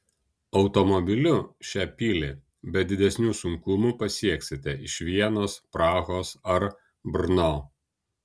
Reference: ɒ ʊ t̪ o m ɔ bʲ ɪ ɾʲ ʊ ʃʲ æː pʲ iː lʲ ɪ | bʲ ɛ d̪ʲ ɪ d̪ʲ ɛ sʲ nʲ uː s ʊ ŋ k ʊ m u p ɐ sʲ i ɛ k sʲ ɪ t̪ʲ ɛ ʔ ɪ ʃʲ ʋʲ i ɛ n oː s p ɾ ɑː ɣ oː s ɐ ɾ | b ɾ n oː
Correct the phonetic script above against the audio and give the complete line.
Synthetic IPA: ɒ ʊ t̪ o m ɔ bʲ ɪ lʲ ʊ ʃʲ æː pʲ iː lʲ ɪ | bʲ ɛ d̪ʲ ɪ d̪ʲ ɛ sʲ nʲ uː s ʊ ŋ k ʊ m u p ɐ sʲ i ɛ k sʲ ɪ t̪ʲ ɛ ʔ ɪ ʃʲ ʋʲ i ɛ n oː s p ɾ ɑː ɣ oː s ɐ ɾ | b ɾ n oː